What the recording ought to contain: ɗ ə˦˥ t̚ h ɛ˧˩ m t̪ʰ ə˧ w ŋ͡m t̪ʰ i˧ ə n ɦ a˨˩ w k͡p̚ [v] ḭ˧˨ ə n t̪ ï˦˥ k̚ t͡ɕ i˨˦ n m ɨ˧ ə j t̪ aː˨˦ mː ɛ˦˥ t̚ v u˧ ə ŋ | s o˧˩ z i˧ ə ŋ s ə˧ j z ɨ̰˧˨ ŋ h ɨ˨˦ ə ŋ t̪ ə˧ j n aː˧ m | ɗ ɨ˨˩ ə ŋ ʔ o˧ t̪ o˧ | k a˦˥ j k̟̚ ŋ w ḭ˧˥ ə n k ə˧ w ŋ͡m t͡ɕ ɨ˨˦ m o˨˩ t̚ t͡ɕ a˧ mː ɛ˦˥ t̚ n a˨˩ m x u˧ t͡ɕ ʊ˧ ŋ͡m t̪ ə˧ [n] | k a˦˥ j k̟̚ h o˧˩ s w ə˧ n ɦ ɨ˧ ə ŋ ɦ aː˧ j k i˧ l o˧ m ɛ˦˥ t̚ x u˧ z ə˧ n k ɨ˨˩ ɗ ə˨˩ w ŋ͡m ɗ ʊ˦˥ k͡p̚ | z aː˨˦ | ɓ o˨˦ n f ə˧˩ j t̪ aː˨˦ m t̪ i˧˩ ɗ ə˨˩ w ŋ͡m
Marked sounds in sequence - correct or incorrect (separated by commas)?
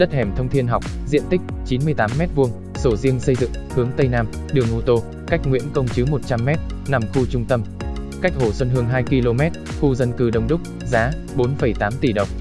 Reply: incorrect, incorrect